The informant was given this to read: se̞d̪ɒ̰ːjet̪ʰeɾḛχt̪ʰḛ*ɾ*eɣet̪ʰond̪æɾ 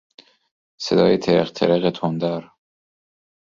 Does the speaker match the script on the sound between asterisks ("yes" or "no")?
yes